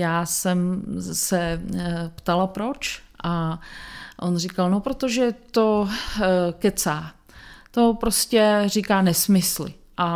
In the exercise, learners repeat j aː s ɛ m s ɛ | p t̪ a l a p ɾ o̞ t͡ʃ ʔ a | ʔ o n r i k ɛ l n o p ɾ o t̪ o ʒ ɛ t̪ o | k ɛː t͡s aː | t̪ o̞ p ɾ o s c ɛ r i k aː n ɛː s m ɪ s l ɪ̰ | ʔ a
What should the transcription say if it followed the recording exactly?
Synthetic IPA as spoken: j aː s ɛ m s ɛ | p t̪ a l a p ɾ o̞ t͡ʃ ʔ a | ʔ o n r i k a l n o p ɾ o t̪ o ʒ ɛ t̪ o | k ɛ t͡s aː | t̪ o̞ p ɾ o s c ɛ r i k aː n ɛ s m ɪ s l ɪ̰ | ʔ a